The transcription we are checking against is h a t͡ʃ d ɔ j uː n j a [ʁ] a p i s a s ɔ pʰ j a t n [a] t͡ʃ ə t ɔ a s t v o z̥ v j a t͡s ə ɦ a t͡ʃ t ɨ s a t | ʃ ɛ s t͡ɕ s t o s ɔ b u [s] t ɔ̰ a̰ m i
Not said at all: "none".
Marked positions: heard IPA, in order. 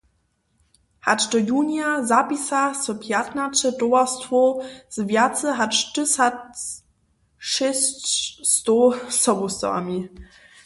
z, a, s

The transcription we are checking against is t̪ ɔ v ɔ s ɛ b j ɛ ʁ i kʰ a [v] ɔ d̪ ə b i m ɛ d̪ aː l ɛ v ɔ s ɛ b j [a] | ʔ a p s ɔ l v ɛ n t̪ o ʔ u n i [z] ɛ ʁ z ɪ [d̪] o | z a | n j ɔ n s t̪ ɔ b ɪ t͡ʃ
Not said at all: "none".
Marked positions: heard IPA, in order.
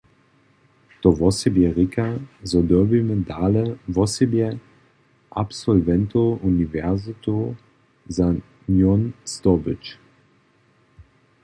z, ɛ, v, t̪

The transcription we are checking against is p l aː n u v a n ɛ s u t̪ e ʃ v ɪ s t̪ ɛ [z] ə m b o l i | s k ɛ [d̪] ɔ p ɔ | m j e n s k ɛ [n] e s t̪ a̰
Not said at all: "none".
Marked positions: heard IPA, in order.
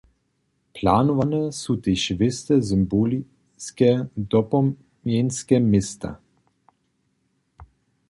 z, d̪, m

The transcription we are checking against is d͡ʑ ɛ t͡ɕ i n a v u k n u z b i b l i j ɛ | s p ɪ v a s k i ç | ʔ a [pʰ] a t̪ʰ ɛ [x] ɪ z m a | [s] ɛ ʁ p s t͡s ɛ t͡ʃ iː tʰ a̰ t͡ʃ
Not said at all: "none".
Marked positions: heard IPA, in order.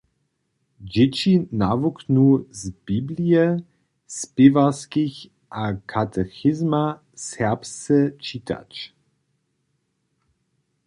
kʰ, x, s

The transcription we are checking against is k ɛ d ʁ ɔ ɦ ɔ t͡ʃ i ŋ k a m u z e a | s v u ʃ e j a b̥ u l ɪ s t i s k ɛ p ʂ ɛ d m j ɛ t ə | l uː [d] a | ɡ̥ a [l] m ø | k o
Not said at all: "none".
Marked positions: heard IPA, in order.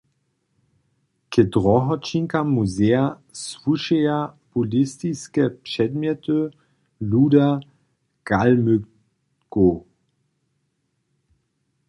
d, l

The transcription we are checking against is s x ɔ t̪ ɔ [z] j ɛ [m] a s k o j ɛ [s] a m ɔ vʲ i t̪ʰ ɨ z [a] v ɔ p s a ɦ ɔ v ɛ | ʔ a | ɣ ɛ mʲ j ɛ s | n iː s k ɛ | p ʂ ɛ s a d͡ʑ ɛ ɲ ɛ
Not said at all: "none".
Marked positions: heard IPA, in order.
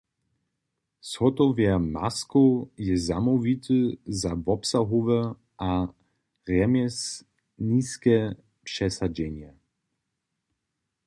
v, m, z, a

